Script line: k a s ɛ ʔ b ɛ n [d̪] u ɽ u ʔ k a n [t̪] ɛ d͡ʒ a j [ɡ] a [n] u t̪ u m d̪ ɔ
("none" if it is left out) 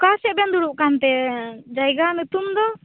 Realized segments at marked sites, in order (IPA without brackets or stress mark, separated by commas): d̪, t̪, ɡ, n